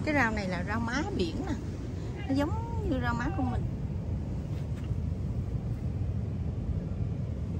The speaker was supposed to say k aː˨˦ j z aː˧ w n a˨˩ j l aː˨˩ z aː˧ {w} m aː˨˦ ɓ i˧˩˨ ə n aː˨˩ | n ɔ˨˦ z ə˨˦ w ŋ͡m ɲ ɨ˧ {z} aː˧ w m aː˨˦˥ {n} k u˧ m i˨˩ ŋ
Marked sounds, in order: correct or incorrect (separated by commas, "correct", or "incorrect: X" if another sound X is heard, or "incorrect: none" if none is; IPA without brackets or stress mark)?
correct, correct, incorrect: none